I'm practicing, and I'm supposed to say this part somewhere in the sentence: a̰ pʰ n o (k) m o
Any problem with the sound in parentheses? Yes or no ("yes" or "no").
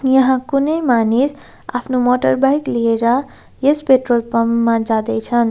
yes